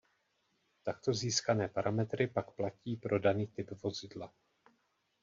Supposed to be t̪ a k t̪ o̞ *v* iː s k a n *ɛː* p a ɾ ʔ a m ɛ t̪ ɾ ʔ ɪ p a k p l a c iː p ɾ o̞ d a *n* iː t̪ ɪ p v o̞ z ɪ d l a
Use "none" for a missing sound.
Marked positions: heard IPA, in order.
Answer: z, ɛː, n

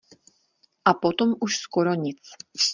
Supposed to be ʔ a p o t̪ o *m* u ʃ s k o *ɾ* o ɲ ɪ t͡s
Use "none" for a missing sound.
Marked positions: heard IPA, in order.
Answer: m, ɾ

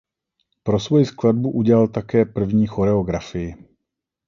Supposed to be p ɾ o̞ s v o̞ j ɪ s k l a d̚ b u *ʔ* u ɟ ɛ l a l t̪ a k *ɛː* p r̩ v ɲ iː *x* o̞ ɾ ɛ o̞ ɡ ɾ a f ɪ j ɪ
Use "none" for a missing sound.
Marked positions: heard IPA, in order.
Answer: ʔ, ɛː, x

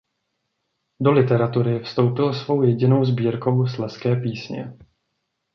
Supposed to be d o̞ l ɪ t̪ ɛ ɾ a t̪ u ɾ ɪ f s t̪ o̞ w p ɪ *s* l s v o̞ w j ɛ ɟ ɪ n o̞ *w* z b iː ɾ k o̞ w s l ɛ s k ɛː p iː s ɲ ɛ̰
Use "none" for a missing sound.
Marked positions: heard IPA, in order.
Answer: none, w

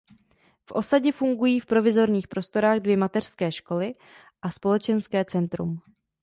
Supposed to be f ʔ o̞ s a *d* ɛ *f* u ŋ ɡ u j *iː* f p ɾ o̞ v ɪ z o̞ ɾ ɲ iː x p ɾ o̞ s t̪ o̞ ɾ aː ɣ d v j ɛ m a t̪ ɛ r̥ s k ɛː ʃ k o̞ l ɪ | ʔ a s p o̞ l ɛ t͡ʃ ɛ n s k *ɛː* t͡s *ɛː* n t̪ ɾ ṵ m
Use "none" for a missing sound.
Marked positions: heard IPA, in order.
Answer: ɟ, f, iː, ɛː, ɛ

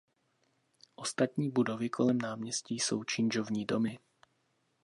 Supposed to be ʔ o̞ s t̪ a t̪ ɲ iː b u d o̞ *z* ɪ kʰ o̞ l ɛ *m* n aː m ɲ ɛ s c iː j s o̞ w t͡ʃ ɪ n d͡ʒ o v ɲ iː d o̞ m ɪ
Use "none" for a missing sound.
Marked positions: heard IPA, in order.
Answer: v, m

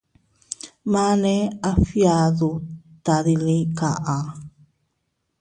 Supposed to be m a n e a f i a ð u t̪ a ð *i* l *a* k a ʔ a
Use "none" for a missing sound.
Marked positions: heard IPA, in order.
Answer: i, i

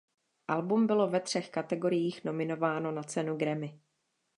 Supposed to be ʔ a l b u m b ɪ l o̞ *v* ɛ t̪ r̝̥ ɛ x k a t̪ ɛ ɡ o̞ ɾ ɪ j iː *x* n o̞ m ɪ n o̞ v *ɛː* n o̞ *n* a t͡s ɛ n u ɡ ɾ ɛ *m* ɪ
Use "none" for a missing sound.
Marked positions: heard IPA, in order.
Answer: v, x, aː, n, m

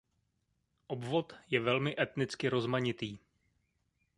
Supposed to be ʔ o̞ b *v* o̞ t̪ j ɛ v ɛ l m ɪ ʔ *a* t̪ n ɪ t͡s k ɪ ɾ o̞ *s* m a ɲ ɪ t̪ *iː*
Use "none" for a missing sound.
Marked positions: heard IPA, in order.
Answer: v, ɛ, z, iː

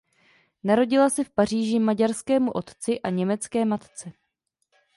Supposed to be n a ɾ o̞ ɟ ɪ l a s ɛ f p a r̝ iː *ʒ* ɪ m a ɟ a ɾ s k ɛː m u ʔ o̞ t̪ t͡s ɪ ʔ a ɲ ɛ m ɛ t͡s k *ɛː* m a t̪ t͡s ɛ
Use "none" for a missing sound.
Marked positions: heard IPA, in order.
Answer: ʒ, ɛː

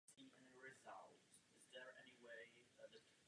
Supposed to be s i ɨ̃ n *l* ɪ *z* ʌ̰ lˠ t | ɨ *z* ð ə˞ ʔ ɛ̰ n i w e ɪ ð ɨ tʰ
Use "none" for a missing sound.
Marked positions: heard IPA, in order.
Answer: ɹ, z, z

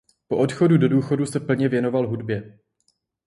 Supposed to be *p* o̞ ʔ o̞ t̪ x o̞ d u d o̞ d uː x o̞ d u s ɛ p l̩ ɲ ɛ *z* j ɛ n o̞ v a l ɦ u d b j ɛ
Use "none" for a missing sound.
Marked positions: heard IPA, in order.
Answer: p, v

